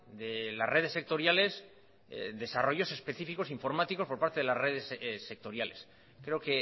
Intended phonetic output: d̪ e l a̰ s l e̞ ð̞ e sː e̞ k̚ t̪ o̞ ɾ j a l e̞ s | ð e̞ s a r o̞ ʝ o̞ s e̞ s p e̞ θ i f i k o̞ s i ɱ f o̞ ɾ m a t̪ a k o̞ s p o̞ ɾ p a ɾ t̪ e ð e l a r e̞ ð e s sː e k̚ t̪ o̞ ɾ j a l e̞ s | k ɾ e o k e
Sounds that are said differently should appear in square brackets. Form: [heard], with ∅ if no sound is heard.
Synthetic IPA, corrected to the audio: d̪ e l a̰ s [r] e̞ ð̞ e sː e̞ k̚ t̪ o̞ ɾ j a l e̞ s | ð e̞ s a r o̞ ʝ o̞ s e̞ s p e̞ θ i f i k o̞ s i ɱ f o̞ ɾ m a t̪ [i] k o̞ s p o̞ ɾ p a ɾ t̪ e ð e l a r e̞ ð e s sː e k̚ t̪ o̞ ɾ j a l e̞ s | k ɾ e o k e